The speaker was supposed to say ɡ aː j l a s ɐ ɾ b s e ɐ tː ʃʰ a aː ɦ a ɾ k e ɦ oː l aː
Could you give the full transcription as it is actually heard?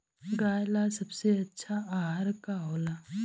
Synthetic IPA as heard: ɡ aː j l a s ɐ b s e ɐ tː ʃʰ a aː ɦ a ɾ k a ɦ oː l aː